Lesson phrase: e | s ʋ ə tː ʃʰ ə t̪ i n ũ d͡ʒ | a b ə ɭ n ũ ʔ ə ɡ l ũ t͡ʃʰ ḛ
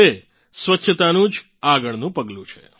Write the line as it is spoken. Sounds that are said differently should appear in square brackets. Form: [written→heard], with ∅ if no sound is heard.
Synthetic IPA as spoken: e | s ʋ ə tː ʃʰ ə t̪ [i→a] n ũ d͡ʒ | a [b→ɡ] ə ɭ n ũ [ʔ→p] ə ɡ l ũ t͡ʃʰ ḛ